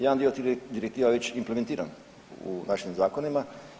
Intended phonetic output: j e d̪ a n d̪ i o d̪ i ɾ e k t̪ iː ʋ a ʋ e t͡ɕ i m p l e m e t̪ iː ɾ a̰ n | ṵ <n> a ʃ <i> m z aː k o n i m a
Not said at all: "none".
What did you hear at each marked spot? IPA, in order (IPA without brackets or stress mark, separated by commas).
n, i